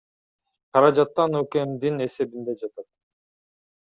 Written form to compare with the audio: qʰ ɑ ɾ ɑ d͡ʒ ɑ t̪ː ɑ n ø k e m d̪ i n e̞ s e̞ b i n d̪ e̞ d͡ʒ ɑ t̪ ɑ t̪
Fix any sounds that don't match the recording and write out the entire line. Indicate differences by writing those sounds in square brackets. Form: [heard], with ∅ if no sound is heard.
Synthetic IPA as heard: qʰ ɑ ɾ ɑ d͡ʒ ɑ t̪ː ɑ n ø k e m d̪ i n e̞ s e̞ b i n d̪ e̞ d͡ʒ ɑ t̪ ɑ t̪